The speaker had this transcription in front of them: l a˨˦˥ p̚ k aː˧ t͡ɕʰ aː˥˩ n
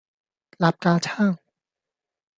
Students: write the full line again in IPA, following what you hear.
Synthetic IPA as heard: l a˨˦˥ p̚ k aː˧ t͡ɕʰ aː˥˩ ŋ